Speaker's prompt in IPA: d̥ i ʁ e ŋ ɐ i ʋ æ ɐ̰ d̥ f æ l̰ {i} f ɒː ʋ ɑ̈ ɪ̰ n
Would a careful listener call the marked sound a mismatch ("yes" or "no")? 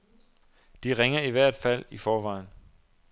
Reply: no